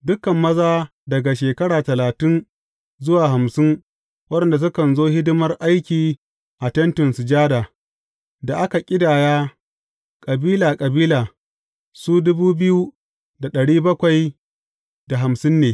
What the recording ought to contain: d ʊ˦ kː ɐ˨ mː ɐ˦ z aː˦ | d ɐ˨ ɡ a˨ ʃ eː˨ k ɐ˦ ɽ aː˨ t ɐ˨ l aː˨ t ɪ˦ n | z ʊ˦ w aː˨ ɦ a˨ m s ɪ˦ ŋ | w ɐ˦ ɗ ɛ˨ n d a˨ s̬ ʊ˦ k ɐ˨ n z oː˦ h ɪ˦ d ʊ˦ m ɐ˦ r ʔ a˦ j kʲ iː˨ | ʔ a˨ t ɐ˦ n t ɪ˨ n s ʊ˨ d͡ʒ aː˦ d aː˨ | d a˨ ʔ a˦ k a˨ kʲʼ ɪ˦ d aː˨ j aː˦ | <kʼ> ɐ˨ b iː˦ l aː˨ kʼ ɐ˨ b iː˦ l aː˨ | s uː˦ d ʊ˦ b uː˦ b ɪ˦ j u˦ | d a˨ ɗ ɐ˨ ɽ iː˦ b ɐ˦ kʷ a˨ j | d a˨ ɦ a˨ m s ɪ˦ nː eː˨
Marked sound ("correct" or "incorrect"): correct